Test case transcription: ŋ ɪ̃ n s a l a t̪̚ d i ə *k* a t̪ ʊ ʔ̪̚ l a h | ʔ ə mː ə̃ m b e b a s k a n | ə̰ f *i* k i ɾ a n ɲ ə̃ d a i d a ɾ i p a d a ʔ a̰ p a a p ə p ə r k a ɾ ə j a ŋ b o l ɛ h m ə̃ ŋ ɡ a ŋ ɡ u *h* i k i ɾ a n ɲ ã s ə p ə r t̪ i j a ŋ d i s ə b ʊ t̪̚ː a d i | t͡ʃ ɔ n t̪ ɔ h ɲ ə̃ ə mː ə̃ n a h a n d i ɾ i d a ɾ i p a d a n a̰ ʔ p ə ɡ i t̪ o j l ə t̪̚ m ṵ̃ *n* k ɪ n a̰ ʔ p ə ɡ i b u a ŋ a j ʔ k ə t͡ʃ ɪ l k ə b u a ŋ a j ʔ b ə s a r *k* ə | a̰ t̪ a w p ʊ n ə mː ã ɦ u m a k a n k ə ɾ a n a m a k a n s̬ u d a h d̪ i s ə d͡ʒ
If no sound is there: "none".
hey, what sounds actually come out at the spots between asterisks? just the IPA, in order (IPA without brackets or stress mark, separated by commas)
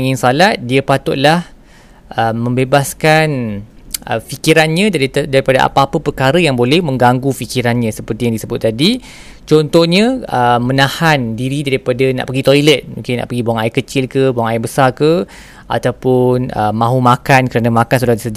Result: p, i, f, ŋ, k